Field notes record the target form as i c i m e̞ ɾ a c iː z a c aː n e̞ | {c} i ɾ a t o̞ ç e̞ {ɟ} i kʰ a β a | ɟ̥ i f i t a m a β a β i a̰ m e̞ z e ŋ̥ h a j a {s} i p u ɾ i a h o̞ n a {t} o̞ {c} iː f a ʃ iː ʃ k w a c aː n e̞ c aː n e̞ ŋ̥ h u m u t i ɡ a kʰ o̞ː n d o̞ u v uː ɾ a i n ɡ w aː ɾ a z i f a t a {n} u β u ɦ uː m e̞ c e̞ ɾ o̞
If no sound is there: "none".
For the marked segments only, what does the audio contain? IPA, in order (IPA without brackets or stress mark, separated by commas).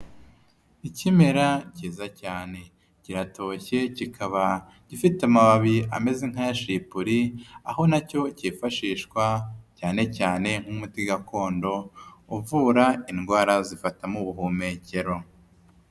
c, c, ʃ, c, c, m